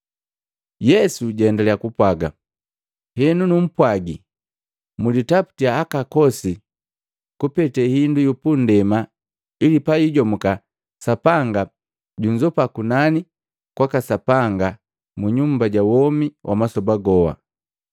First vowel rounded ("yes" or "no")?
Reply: no